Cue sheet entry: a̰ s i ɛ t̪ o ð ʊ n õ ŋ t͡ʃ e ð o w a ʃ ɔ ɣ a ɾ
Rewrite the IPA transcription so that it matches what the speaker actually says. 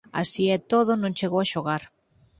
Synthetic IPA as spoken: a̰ s i ɛ t̪ o ð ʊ n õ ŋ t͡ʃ e ɣ o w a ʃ o ɣ a ɾ